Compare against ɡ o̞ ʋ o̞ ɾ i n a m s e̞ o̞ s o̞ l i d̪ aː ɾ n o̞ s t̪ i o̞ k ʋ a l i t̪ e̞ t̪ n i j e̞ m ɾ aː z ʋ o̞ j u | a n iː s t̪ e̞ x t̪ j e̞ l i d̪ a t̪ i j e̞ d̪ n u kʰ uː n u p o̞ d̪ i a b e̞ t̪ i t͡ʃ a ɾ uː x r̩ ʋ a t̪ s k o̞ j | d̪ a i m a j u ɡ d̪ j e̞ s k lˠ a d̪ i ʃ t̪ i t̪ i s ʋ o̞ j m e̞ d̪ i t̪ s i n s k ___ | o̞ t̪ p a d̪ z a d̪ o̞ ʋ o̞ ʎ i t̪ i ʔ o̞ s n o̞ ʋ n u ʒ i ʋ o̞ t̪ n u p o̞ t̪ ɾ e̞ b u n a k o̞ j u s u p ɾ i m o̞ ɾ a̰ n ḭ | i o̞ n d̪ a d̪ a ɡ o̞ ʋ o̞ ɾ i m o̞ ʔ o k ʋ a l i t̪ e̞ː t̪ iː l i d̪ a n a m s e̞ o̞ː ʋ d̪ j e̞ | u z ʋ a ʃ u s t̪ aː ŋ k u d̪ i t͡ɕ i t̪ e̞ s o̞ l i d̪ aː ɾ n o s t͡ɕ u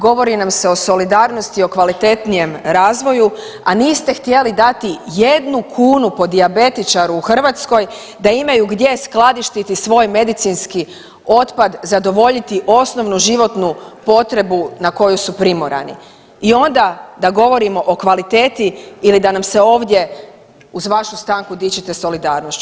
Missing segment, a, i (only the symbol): i